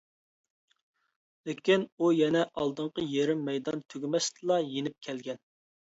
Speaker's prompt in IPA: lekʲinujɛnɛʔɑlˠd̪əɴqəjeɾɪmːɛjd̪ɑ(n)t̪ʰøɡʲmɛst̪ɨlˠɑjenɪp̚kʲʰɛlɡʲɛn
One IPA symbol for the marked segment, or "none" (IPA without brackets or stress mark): n